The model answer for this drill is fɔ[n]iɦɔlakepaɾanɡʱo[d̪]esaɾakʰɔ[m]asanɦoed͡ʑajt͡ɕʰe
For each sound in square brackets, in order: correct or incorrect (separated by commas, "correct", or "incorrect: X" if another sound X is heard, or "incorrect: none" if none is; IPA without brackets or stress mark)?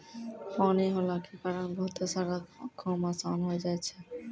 correct, incorrect: t̪, correct